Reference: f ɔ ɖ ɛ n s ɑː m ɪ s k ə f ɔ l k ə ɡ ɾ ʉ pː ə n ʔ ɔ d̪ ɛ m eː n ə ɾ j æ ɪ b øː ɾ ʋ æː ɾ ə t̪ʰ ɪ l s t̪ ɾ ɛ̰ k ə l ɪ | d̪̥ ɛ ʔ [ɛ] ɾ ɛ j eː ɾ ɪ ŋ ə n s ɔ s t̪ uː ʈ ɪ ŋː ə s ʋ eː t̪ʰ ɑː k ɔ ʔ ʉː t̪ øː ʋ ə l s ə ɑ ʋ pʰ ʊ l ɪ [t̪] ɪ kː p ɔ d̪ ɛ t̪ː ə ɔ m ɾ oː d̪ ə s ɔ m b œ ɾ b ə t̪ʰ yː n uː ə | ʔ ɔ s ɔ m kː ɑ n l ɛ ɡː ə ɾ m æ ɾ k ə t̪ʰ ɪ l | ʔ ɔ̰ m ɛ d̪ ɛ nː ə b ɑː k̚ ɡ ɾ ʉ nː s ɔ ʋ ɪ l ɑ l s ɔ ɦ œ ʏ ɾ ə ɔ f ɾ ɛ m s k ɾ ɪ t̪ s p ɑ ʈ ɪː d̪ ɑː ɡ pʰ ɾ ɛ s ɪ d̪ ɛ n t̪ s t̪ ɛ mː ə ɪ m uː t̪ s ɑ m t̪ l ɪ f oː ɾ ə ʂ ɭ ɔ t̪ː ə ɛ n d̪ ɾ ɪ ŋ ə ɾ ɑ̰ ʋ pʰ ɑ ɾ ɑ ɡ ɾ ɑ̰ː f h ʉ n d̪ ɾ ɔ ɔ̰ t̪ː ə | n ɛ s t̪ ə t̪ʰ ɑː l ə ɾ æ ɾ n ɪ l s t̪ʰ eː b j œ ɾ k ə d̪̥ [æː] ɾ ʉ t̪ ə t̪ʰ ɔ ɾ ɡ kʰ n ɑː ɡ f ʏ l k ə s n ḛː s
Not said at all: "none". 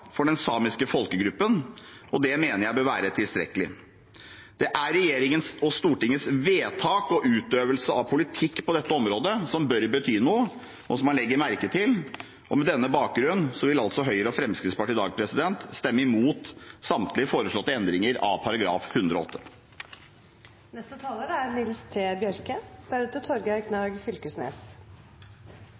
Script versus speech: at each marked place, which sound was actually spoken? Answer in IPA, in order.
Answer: æ, t̪ʰ, æ

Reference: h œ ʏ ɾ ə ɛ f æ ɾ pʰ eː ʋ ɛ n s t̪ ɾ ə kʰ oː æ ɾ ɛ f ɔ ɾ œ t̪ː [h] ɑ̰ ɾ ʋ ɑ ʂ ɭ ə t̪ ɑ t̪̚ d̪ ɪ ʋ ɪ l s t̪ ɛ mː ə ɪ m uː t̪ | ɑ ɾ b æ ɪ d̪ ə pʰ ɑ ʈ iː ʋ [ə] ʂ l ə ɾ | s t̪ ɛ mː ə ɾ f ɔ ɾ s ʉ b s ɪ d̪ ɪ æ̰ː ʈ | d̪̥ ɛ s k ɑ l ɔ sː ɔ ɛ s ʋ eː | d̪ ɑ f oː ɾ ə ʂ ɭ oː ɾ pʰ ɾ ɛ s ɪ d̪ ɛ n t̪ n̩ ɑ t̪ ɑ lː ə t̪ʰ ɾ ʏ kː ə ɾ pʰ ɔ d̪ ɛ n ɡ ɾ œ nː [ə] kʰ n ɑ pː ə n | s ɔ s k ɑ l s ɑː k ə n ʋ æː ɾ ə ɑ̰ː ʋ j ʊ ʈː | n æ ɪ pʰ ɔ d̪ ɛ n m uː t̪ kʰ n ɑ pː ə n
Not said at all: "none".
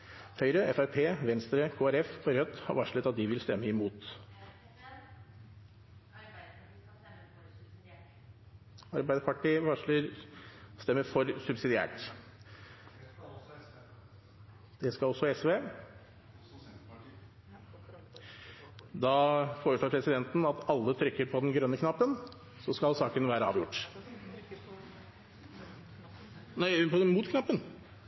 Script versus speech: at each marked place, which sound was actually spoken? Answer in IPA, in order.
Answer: h, ɑ, ə

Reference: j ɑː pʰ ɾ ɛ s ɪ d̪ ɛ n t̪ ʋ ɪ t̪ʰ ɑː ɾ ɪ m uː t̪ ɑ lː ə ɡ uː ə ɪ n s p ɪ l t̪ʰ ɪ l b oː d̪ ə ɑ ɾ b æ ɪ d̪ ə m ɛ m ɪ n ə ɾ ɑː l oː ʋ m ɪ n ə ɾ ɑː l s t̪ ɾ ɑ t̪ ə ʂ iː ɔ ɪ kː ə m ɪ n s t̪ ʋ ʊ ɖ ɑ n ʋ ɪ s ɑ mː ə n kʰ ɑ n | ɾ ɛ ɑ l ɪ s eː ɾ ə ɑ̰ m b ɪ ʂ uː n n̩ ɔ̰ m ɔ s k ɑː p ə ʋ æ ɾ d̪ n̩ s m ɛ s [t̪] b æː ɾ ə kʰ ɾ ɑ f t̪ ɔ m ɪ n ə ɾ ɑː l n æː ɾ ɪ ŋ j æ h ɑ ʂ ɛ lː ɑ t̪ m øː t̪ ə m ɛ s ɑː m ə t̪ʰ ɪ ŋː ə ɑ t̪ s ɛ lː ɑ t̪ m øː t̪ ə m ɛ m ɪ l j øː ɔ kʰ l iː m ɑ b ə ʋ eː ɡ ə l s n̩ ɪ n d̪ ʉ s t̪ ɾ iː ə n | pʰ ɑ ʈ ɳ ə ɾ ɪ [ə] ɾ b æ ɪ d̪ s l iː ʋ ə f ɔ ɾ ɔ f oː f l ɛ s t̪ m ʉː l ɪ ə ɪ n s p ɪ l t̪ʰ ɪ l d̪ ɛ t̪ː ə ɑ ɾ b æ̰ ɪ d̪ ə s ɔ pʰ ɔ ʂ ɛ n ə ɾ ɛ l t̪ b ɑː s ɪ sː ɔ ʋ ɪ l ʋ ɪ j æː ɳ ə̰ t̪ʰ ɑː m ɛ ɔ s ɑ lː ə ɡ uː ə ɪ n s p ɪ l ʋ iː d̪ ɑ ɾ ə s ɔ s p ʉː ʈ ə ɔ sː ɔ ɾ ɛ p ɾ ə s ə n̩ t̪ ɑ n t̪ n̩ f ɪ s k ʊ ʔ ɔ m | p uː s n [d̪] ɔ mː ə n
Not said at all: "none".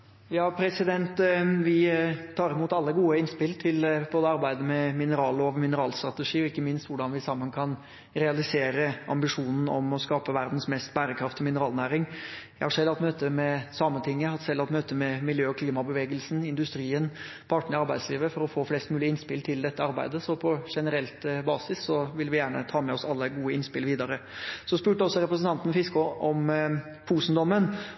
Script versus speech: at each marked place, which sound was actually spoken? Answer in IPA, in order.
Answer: t̪, ɑ, d̪

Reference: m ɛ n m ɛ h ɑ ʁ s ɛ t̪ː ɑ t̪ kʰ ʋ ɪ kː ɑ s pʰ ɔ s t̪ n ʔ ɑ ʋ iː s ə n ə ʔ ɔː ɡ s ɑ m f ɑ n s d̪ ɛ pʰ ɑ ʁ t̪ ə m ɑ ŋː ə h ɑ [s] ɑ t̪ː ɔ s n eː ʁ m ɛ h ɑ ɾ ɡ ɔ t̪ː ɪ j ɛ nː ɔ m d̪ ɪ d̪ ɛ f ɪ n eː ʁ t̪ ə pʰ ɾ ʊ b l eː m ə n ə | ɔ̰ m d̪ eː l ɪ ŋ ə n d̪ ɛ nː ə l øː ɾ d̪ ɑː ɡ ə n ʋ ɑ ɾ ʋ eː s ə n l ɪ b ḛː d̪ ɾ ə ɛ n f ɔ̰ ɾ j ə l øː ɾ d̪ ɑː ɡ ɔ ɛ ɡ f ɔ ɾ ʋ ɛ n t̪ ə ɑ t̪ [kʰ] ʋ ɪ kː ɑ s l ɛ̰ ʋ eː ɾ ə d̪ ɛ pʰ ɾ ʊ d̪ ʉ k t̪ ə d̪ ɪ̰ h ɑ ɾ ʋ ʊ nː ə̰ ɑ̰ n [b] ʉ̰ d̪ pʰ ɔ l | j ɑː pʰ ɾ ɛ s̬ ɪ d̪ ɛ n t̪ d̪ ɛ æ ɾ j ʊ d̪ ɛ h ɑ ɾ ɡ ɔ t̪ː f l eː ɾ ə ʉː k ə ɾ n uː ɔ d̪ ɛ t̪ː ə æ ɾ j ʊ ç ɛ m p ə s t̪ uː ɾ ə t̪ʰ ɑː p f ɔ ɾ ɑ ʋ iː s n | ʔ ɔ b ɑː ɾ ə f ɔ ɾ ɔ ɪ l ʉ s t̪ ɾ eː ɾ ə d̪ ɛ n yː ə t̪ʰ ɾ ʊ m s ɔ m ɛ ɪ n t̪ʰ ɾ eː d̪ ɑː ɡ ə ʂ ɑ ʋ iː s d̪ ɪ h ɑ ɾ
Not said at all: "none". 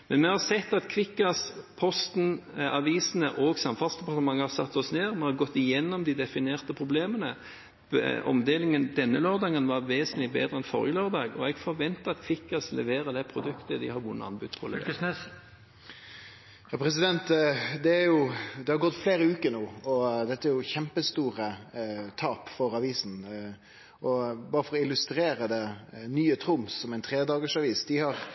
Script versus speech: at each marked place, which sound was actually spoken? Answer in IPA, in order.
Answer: s, kʰ, b

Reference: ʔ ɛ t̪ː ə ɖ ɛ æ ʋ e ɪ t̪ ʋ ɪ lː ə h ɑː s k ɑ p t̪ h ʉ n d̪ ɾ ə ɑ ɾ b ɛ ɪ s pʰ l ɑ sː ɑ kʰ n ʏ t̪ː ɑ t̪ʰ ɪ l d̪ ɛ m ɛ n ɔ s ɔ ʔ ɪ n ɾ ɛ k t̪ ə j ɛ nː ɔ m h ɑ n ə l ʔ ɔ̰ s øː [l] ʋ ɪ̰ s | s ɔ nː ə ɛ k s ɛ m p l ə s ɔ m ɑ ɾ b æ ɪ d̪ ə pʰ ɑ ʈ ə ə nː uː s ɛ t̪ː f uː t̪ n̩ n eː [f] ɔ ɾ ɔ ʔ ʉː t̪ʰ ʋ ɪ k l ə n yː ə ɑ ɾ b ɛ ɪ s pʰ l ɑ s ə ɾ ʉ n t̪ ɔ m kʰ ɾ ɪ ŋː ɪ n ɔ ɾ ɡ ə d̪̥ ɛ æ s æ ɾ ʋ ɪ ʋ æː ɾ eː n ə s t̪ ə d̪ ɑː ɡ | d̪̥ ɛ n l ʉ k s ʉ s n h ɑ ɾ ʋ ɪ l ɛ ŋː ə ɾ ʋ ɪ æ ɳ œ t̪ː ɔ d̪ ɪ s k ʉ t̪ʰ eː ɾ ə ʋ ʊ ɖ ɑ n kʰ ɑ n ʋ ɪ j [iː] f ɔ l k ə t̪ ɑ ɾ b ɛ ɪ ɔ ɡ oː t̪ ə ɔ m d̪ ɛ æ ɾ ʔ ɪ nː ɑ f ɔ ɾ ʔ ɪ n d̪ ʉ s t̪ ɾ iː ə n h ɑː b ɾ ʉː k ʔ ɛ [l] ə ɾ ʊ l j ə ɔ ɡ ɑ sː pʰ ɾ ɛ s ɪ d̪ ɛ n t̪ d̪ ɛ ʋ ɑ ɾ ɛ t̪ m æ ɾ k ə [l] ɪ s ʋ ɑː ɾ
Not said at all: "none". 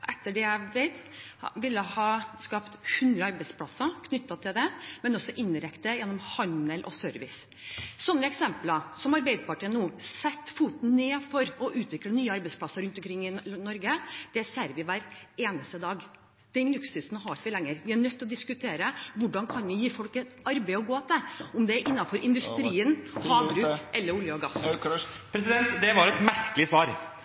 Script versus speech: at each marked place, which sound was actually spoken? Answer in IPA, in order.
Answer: ɾ, f, iː, lː, l

